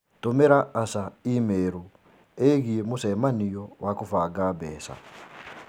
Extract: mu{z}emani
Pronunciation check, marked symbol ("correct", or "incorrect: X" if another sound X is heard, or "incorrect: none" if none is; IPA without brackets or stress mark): incorrect: s